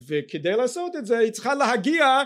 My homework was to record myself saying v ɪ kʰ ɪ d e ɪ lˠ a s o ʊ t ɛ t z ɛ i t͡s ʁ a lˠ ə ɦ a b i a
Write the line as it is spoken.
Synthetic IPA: v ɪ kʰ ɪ d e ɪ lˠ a s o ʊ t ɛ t z ɛ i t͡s χ a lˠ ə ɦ a ɡ i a